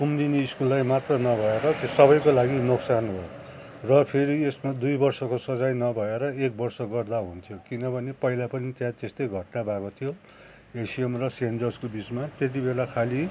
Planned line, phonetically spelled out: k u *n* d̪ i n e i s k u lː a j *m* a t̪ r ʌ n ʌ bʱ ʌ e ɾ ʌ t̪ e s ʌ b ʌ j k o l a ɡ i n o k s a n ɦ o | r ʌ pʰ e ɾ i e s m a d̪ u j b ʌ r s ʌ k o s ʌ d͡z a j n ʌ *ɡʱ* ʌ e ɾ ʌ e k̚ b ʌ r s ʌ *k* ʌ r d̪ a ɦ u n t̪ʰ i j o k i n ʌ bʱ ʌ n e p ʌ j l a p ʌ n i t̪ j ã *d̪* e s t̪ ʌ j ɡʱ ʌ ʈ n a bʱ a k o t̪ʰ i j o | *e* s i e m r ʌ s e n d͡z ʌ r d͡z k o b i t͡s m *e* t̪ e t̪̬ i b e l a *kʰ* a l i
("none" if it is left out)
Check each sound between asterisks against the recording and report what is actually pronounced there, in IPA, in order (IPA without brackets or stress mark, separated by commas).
m, m, bʱ, ɡ, t̪, e, a, kʰ